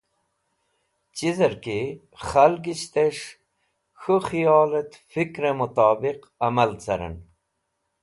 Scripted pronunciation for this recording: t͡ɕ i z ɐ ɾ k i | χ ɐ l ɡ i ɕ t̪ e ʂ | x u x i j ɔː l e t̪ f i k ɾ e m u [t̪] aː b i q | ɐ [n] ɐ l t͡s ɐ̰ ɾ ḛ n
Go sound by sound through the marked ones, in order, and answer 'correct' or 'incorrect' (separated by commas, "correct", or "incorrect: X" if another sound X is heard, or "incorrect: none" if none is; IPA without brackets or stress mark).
correct, incorrect: m